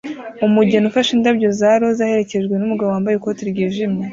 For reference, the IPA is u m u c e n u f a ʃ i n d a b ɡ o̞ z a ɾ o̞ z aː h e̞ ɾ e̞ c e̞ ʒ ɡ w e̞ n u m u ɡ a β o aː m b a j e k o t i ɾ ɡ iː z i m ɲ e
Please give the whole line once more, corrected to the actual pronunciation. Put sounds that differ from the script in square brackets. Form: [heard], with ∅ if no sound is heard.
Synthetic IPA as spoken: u m u [ɟ] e n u f a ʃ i n d a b [ɟ] o̞ z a ɾ o̞ z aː h e̞ ɾ e̞ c e̞ ʒ ɡ w e̞ n u m u ɡ a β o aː m b a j e k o t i ɾ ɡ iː [ʒ] i m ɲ e